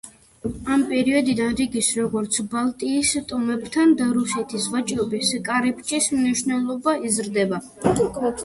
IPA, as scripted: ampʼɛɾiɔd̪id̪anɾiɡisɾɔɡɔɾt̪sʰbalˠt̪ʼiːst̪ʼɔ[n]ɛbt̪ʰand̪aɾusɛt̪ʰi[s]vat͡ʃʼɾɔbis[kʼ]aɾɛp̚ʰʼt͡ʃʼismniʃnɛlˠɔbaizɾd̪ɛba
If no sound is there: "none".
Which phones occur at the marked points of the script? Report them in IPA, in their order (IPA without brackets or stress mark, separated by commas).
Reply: m, s, kʼ